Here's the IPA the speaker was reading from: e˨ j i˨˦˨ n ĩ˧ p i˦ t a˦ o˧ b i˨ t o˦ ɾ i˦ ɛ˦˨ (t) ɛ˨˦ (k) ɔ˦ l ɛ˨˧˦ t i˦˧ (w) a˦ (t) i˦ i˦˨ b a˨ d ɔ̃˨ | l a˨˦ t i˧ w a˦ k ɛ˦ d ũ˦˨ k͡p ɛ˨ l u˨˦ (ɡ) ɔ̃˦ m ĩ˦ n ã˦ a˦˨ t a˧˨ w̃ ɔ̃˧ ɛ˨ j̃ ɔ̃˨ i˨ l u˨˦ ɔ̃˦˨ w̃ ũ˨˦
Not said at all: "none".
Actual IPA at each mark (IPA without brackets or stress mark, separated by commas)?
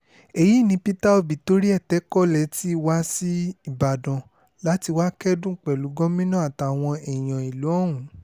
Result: t, k, w, s, ɡ